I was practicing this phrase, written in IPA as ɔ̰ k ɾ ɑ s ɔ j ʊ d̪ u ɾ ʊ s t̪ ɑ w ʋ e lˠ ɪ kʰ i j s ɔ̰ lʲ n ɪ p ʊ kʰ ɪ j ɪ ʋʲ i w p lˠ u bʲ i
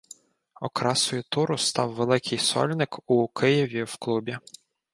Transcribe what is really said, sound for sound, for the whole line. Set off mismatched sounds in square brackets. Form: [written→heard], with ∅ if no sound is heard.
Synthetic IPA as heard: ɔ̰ k ɾ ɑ s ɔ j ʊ [d̪→t̪] u ɾ ʊ s t̪ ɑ w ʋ e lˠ ɪ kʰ [i→ɪ] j s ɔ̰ lʲ n ɪ [p→k] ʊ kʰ ɪ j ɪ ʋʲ i w [p→k] lˠ u bʲ i